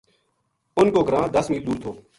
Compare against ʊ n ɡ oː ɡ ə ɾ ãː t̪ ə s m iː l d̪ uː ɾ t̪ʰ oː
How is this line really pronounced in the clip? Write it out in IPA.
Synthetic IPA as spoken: ʊ n k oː ɡ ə ɾ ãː d̪ ə s m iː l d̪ uː ɾ t̪ʰ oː